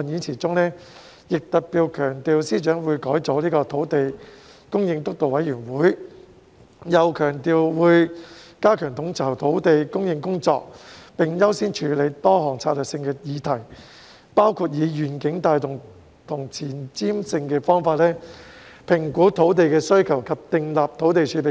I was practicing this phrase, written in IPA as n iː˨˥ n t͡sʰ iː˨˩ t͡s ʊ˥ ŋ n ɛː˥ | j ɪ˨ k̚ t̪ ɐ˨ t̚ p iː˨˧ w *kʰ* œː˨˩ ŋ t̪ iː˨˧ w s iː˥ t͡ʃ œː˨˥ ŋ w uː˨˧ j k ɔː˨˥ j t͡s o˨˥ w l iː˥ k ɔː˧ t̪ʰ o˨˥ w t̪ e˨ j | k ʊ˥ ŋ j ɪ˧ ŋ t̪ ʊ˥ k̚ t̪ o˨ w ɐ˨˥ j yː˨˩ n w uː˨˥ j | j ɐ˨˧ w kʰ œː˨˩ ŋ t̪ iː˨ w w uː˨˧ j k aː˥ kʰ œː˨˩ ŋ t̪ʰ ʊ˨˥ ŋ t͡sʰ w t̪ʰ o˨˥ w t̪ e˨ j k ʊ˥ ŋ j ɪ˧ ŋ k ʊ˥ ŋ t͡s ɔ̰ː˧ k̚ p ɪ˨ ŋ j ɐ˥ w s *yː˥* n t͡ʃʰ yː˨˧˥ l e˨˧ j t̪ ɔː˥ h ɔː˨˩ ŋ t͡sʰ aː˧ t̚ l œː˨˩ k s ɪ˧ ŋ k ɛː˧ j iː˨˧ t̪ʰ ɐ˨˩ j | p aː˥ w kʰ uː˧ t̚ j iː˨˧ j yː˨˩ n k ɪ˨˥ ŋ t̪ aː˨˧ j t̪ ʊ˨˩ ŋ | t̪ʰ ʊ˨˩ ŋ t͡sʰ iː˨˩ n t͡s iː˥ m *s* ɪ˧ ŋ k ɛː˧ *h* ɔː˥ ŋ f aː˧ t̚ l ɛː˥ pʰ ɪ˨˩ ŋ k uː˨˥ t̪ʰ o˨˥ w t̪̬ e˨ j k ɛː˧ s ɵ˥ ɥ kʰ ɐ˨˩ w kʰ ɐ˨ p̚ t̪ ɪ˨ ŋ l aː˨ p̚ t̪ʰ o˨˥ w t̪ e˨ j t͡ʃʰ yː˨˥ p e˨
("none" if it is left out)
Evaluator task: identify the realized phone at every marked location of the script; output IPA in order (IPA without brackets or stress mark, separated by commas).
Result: kʰ, iː˥, s, f